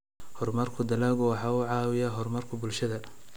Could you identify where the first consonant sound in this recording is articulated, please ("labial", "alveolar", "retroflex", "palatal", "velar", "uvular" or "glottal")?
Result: glottal